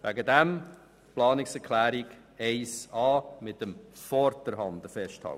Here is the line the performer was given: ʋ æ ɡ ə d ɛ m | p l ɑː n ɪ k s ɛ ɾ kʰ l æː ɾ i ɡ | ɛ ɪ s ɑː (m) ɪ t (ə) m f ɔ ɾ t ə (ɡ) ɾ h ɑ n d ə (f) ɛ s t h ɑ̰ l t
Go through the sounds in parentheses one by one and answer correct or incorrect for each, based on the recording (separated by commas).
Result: correct, correct, incorrect, correct